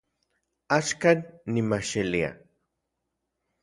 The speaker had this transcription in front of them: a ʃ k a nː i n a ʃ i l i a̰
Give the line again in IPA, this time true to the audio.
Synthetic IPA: a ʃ k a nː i m a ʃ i l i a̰